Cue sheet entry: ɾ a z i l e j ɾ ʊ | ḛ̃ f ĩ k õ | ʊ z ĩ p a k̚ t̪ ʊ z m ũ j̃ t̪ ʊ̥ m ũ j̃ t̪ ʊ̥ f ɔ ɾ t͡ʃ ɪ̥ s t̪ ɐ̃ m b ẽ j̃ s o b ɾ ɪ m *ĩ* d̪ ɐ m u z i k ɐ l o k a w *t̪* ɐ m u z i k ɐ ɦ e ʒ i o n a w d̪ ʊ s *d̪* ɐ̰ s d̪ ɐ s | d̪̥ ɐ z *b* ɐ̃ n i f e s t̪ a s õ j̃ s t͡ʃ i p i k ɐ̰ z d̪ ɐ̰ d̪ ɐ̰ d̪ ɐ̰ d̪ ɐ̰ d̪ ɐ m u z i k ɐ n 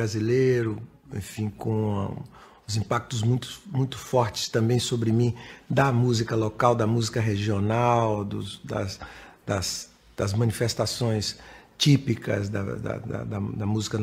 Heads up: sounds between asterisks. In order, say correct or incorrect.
correct, incorrect, correct, incorrect

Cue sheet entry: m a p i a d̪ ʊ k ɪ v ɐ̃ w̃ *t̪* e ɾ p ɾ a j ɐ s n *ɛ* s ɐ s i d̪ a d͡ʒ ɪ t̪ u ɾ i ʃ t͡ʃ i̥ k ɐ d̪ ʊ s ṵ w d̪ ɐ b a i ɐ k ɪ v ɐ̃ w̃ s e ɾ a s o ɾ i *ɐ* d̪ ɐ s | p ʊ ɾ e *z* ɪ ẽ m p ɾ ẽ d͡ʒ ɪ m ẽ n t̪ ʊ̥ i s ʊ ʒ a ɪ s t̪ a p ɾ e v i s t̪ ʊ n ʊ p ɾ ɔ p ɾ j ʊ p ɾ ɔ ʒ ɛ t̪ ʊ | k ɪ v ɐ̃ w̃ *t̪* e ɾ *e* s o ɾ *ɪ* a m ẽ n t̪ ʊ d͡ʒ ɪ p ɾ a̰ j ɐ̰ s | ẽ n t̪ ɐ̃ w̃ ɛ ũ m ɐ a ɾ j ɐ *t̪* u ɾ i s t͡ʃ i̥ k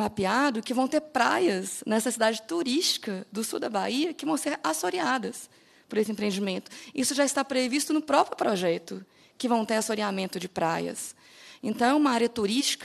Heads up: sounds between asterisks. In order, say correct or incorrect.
correct, correct, incorrect, incorrect, correct, incorrect, incorrect, correct

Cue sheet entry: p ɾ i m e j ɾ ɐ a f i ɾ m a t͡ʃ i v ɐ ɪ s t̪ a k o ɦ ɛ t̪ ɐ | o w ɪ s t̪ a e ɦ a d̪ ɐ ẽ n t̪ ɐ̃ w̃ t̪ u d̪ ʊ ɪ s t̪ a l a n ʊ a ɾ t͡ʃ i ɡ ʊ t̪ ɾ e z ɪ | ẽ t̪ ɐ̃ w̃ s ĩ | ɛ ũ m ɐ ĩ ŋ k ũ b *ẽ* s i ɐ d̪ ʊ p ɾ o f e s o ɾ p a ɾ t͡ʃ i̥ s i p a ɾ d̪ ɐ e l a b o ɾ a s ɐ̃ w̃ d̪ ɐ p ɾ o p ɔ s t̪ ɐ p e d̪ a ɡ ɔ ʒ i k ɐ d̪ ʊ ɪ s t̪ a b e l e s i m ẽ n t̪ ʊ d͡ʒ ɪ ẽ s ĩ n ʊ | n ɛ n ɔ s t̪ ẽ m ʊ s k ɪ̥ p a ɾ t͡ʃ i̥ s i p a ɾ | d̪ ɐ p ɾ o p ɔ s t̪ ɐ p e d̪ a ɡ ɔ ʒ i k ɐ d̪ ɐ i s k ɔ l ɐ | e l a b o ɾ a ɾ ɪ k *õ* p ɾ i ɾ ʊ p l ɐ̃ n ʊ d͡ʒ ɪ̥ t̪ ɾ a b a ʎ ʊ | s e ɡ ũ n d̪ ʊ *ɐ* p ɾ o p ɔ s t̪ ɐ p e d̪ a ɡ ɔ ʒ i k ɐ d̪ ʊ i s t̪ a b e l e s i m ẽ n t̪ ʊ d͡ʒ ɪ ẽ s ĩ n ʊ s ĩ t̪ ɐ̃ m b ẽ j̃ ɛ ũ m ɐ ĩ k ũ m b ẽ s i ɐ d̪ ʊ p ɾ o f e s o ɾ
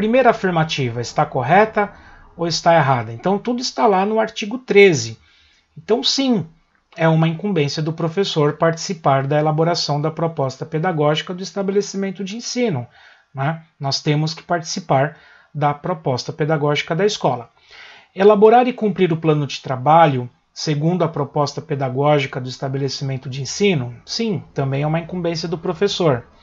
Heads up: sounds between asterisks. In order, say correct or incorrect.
correct, incorrect, correct

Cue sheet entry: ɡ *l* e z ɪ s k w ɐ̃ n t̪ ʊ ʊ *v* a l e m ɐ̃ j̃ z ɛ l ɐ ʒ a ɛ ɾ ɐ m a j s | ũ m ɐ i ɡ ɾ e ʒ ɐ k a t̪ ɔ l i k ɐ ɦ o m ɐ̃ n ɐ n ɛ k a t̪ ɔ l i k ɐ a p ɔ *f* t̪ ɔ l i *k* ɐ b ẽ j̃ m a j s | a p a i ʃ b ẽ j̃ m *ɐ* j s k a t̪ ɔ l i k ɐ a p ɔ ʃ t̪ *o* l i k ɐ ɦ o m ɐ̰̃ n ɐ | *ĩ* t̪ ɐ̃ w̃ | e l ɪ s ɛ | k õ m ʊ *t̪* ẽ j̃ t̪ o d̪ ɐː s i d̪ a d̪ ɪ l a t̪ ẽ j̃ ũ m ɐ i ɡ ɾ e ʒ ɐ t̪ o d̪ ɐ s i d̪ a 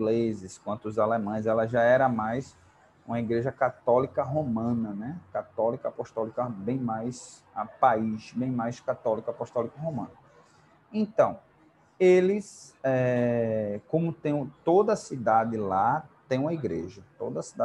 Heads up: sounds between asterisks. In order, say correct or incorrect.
correct, incorrect, incorrect, correct, incorrect, incorrect, incorrect, correct

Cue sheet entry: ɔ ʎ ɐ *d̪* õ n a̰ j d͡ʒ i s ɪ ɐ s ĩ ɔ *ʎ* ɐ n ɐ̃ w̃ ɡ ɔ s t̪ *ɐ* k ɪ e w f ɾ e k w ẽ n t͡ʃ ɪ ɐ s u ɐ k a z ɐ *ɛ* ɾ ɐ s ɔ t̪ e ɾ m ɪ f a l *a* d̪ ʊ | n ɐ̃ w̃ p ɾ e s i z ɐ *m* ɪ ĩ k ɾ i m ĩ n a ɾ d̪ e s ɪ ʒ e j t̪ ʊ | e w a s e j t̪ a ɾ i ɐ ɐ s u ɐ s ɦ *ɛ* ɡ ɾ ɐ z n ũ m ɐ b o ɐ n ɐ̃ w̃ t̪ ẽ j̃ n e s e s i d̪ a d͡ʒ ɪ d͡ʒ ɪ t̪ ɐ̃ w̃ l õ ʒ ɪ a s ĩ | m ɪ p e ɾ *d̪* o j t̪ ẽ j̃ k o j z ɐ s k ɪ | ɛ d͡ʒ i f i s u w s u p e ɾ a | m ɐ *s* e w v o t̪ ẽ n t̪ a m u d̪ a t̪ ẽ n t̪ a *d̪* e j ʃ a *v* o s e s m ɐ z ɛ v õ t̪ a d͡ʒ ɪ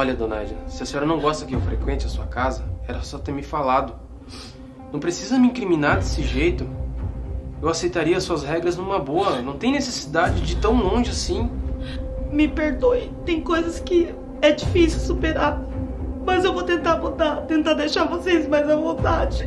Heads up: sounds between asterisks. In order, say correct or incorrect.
correct, incorrect, correct, correct, correct, correct, correct, correct, incorrect, correct, correct

